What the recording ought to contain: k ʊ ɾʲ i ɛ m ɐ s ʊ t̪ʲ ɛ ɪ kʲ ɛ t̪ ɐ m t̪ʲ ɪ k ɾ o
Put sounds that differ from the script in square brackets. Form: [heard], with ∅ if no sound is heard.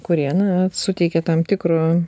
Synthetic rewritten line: k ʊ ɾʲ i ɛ [n] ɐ s ʊ t̪ʲ ɛ ɪ kʲ ɛ t̪ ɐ m t̪ʲ ɪ k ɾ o